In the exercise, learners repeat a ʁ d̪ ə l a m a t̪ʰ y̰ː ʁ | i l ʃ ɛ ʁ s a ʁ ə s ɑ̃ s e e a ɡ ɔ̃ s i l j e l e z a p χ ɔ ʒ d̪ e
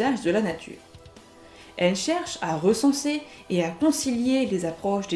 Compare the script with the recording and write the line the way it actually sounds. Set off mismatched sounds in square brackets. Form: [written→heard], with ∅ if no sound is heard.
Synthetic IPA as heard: a [ʁ→ʒ] d̪ ə l a [m→n] a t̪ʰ y̰ː ʁ | [i→ɛ] l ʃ ɛ ʁ [s→ʃ] a ʁ ə s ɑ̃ s e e a [ɡ→k] ɔ̃ s i l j e l e z a p χ ɔ [ʒ→ʃ] d̪ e